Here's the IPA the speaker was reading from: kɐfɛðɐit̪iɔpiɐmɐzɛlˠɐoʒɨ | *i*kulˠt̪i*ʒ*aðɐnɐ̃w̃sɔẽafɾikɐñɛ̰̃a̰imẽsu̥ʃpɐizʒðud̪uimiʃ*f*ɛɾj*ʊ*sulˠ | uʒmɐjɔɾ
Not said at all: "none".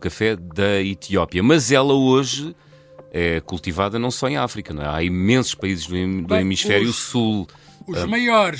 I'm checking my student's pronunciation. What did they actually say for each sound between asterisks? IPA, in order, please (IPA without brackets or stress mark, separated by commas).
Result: ɛ, v, f, u